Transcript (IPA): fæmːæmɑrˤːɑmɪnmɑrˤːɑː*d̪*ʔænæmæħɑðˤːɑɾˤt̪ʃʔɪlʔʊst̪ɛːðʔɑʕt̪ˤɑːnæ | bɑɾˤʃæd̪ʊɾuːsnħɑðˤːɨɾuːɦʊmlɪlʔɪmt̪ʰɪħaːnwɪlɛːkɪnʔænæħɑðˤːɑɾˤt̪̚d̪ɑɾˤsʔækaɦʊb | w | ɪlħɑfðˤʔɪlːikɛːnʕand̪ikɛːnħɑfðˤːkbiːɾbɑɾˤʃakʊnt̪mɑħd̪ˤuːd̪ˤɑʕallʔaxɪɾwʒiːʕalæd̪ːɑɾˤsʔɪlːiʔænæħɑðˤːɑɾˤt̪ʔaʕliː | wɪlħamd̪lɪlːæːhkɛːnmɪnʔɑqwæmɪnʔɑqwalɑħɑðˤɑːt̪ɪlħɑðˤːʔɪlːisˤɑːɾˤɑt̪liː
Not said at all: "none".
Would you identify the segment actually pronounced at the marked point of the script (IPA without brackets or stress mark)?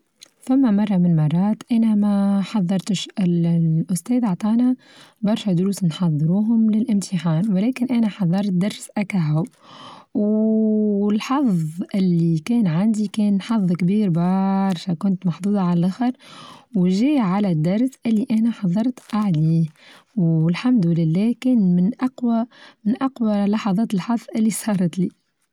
t̪